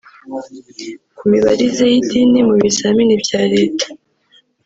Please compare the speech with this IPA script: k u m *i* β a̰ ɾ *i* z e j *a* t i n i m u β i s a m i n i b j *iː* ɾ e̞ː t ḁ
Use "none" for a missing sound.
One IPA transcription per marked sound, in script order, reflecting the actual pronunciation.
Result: i, i, i, aː

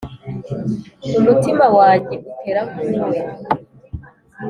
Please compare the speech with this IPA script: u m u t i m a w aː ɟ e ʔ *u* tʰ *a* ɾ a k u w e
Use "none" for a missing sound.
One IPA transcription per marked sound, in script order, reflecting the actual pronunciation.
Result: u, e

